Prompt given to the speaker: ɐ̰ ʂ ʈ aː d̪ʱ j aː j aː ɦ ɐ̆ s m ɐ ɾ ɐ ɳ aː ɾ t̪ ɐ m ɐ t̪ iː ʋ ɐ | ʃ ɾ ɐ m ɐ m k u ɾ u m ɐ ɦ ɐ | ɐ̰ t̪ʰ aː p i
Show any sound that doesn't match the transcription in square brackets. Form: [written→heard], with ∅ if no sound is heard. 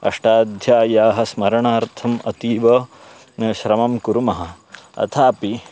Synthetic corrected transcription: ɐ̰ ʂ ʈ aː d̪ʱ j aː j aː ɦ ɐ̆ s m ɐ ɾ ɐ ɳ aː ɾ [t̪→t̪ʰ] ɐ m ɐ t̪ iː ʋ ɐ | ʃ ɾ ɐ m ɐ m k u ɾ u m ɐ ɦ ɐ | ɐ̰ t̪ʰ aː p i